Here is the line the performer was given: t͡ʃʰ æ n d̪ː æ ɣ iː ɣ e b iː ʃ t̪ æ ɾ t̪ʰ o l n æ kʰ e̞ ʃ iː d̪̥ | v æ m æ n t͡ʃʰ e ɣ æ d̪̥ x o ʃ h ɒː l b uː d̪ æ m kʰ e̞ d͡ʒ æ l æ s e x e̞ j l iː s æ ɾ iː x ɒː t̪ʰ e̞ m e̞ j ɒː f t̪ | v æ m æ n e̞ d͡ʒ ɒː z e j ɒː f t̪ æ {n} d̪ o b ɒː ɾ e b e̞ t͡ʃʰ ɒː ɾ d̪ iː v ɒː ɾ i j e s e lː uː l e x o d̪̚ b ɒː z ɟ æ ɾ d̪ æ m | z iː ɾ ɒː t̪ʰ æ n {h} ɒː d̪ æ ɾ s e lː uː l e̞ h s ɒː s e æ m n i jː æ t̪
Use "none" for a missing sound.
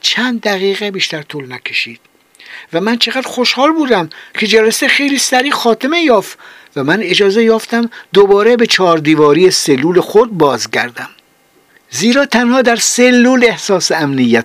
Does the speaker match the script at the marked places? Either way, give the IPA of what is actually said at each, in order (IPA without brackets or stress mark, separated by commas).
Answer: m, h